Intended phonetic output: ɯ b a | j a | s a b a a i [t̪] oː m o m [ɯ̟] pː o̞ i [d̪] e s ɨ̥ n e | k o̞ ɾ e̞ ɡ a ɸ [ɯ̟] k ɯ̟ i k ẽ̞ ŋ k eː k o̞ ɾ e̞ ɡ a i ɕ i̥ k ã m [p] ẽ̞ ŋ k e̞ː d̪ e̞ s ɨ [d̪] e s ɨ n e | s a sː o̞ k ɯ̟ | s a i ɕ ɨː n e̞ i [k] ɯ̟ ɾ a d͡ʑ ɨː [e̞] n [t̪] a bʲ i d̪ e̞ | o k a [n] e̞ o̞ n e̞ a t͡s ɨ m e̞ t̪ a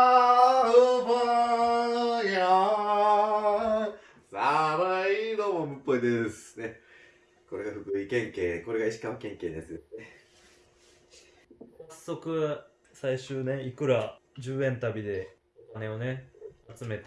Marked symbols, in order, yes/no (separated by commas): no, yes, yes, yes, no, yes, yes, no, yes, yes